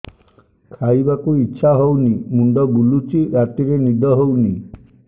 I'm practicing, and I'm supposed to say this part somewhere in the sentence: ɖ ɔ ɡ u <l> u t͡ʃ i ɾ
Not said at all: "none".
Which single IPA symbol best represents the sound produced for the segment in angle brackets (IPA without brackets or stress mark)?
l